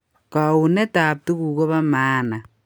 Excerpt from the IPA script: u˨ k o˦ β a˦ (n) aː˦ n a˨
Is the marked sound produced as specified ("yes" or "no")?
no